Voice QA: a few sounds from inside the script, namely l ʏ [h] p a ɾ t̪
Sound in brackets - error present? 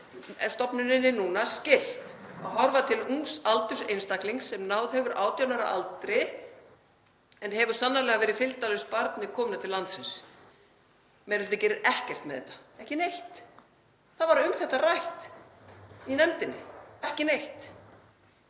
yes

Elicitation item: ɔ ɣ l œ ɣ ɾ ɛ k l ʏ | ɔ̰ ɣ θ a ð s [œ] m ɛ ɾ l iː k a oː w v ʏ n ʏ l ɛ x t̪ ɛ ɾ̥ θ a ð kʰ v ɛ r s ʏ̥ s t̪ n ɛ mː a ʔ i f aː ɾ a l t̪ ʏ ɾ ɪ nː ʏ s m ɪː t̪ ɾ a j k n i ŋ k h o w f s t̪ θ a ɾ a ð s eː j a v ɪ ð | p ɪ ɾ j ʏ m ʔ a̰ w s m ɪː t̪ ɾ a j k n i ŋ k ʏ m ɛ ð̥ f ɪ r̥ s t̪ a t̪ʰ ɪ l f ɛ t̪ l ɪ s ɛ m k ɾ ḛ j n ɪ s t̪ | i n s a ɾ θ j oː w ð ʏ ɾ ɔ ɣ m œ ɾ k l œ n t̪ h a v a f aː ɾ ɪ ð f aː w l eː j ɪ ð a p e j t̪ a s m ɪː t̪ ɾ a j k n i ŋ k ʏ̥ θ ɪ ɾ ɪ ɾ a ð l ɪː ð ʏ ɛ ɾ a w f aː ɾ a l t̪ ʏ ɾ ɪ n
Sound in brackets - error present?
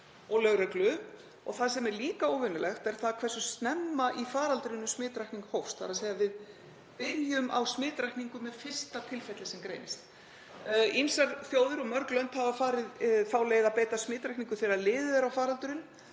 yes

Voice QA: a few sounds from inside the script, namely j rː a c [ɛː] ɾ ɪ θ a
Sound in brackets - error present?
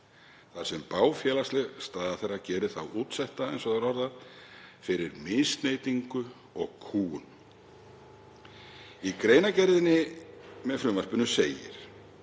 no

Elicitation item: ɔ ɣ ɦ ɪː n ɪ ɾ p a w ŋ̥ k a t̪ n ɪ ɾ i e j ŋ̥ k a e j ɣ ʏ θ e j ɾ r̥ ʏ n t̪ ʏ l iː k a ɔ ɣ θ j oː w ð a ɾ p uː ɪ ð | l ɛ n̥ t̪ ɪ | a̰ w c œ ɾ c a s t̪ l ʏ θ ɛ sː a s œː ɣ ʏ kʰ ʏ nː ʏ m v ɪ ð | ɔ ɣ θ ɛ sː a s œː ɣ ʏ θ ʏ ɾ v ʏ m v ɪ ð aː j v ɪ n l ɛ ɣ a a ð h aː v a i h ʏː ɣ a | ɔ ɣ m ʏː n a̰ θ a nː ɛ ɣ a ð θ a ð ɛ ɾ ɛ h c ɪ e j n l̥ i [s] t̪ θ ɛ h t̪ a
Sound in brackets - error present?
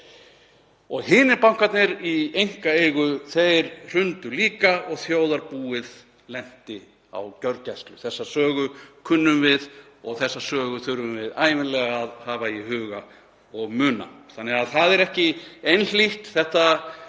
yes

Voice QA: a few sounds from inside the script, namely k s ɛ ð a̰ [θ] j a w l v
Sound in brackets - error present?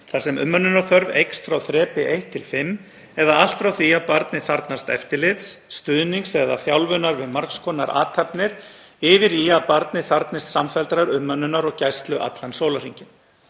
no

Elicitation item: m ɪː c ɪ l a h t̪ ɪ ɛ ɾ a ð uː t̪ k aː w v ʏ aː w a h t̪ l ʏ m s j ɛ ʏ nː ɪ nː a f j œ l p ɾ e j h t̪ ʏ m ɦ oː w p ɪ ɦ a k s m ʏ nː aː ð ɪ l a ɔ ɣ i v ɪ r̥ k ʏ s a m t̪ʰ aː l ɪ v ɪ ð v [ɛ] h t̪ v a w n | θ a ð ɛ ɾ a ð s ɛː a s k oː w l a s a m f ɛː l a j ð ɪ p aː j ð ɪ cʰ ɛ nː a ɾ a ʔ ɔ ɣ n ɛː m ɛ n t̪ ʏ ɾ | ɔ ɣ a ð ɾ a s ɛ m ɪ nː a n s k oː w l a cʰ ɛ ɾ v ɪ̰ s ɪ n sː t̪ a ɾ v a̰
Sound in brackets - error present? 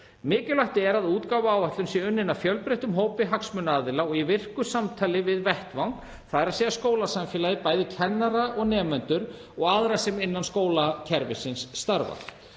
no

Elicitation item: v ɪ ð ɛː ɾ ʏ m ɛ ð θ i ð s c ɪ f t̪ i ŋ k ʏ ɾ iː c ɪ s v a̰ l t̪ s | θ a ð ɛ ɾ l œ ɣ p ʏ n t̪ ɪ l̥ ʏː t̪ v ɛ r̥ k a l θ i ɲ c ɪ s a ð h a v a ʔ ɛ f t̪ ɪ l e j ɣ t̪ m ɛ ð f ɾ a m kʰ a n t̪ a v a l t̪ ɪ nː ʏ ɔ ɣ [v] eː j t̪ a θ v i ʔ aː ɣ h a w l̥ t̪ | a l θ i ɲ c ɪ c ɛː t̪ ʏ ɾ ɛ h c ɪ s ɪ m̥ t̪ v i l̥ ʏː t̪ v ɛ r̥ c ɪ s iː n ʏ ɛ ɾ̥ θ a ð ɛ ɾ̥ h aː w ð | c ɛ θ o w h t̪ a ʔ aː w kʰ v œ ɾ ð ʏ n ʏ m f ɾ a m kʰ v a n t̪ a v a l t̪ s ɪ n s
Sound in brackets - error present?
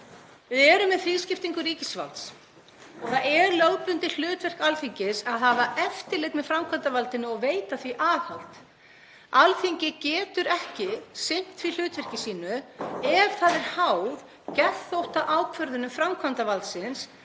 no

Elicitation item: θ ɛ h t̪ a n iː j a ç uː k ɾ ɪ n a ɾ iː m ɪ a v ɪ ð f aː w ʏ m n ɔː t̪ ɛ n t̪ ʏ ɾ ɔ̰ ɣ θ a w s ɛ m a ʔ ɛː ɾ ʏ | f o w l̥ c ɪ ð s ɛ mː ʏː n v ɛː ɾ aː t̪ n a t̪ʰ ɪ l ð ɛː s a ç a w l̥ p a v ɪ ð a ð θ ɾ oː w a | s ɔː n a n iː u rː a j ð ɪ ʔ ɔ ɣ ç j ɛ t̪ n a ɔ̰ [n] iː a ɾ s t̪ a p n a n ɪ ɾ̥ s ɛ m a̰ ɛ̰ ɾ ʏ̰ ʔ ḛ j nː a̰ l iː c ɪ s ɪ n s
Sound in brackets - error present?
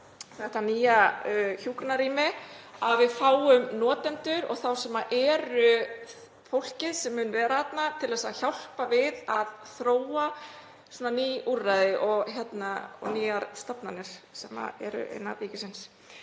no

